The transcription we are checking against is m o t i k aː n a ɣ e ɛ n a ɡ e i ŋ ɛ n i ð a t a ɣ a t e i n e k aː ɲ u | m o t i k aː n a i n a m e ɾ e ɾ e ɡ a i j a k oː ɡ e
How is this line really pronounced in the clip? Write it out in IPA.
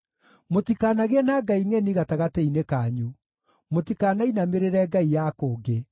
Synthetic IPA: m o t i k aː n a ɣ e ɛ n a ɡ a i ŋ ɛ n i ɣ a t a ɣ a t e i n e k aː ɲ u | m o t i k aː n a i n a m e ɾ e ɾ ɛ ɡ a i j a k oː ɡ e